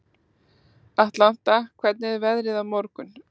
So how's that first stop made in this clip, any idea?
plain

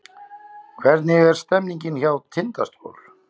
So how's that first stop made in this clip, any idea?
aspirated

